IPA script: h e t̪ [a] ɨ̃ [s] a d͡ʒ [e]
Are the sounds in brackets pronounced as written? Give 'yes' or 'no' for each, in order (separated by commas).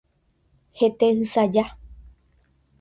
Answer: no, yes, no